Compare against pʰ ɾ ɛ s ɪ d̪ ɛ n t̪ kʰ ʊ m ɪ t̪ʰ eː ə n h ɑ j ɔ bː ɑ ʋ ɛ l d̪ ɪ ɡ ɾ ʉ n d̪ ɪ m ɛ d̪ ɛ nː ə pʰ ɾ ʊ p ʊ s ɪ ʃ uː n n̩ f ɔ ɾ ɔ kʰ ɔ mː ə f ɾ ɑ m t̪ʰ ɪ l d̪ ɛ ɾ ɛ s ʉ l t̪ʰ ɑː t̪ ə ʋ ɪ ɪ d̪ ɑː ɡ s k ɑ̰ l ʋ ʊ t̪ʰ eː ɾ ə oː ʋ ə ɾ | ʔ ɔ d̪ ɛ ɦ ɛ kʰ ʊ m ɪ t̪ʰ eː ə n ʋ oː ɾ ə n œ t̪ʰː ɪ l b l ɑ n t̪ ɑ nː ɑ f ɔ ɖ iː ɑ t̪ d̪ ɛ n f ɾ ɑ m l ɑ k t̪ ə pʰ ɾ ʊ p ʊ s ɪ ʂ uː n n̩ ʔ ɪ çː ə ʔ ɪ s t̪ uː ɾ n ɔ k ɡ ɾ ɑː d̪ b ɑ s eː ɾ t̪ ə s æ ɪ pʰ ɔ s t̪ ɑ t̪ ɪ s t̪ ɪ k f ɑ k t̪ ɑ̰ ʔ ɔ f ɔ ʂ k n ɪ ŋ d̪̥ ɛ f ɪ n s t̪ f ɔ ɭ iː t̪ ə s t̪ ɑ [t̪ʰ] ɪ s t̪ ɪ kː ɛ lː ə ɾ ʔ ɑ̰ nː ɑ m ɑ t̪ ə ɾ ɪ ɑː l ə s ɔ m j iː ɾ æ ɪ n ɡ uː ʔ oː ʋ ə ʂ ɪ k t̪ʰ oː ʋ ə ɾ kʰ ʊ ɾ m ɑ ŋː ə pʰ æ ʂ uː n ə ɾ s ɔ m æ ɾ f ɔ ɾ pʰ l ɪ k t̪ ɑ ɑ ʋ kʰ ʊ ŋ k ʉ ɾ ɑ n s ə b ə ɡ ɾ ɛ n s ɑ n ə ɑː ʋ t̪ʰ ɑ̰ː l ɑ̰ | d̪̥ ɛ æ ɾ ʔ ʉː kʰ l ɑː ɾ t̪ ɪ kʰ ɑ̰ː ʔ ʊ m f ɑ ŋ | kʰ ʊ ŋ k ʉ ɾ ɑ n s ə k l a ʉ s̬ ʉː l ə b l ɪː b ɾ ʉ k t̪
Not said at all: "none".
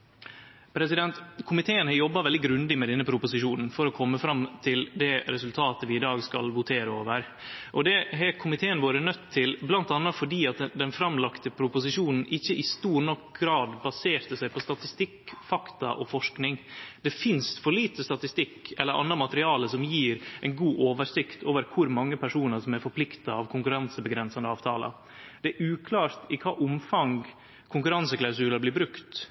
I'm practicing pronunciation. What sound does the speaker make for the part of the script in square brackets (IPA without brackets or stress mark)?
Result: t̪